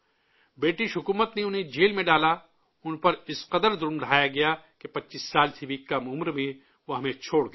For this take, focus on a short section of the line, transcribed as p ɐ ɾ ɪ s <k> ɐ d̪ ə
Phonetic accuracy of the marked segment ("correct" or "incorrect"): incorrect